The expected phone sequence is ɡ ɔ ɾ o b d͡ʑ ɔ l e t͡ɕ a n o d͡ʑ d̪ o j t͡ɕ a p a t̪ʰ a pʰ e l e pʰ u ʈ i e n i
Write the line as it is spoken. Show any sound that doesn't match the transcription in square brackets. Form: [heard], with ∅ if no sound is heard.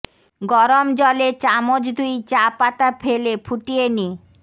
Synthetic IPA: ɡ ɔ ɾ o [m] d͡ʑ ɔ l e t͡ɕ a [m] o d͡ʑ d̪ [u] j t͡ɕ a p a [t̪] a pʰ e l e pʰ u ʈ i e n i